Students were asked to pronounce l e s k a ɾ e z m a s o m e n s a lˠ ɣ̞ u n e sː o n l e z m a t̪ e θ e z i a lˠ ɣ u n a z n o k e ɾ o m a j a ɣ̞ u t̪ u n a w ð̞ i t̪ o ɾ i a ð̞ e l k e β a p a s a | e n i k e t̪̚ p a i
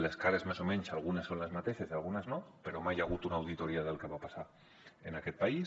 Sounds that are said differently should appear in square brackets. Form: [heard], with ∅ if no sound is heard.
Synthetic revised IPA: l e s k a ɾ e z m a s o m e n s a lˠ ɣ̞ u n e sː o n l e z m a t̪ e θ e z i a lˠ ɣ u n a z n o [p] e ɾ o m a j a ɣ̞ u t̪ u n a w ð̞ i t̪ o ɾ i a ð̞ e l k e β a p a s a | e n [a] k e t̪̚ p a i